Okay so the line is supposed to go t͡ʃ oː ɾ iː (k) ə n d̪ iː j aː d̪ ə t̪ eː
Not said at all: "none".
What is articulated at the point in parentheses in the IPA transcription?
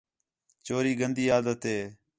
ɡ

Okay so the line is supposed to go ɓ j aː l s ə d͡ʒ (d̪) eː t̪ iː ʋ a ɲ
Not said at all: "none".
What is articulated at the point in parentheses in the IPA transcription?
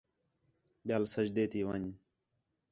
d̪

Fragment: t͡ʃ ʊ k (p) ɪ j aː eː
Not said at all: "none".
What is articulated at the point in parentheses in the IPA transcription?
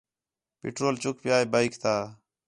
p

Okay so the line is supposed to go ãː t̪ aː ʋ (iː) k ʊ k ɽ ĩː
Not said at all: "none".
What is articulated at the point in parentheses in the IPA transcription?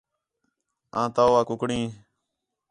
aː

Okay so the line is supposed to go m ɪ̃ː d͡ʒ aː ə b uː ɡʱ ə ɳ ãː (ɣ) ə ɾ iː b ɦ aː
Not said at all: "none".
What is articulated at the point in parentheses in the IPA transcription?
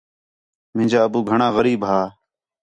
ɣ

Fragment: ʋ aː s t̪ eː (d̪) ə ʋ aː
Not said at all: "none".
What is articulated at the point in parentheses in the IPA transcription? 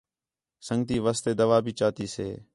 d̪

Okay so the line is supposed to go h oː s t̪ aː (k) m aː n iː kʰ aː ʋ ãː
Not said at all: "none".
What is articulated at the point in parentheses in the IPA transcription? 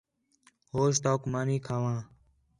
k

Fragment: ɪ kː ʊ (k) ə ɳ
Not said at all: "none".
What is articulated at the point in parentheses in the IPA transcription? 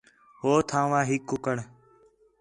k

